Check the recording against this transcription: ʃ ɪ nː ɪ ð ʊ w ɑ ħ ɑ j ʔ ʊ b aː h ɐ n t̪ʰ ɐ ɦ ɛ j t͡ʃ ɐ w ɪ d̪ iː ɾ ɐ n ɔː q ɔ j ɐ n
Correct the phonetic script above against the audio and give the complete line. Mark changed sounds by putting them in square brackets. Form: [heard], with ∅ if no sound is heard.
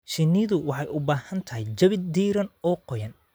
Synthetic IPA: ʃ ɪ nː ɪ ð ʊ w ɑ ħ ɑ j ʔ ʊ b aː h ɐ n t̪ʰ ɐ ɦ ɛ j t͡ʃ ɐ [β] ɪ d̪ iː ɾ ɐ n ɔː q ɔ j ɐ n